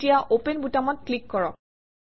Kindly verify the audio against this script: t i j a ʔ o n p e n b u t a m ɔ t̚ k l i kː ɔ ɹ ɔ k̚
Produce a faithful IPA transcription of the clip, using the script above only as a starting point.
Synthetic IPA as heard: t i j a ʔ o p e n b u t a m ɔ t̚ k l i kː ɔ ɹ ɔ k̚

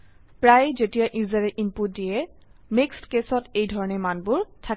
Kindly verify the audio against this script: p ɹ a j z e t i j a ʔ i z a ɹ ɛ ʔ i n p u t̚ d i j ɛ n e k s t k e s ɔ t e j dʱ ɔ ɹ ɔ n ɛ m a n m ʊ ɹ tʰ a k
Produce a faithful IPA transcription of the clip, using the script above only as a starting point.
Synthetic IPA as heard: p ɹ a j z e t i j a ʔ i z a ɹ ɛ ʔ i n p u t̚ d i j ɛ m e k s t k e s ɔ t e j dʱ ɔ ɹ ɔ n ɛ m a n b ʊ ɹ tʰ a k

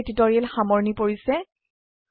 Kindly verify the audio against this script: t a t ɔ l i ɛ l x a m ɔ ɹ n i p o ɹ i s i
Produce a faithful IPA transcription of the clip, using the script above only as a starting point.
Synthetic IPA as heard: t i t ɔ ɹ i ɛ l x a m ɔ ɹ n i p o ɹ i s ɛ

